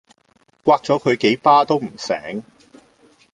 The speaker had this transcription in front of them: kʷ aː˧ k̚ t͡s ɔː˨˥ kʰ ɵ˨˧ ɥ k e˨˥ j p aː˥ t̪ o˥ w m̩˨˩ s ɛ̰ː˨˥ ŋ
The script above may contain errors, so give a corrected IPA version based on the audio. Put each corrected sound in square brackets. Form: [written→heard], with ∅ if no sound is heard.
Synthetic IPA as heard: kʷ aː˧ k̚ t͡s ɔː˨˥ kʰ ɵ˨˧ ɥ k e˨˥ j p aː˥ t̪ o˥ w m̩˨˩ s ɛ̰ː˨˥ ŋ